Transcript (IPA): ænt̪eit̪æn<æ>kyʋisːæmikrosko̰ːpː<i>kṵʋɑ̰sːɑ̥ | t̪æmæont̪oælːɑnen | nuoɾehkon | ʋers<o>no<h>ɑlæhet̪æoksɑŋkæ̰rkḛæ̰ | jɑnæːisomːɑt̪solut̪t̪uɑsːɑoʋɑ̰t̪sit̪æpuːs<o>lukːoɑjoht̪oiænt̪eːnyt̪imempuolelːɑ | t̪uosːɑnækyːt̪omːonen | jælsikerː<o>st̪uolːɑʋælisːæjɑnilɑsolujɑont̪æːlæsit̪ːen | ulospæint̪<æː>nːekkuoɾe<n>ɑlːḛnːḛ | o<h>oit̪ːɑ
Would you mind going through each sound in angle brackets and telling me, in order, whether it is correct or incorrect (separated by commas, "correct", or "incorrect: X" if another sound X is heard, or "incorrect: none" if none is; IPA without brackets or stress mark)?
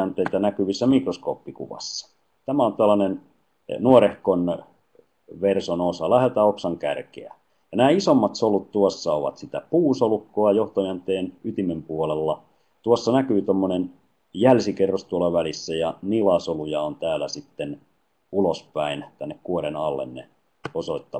correct, correct, correct, incorrect: s, correct, correct, incorrect: æ, correct, incorrect: s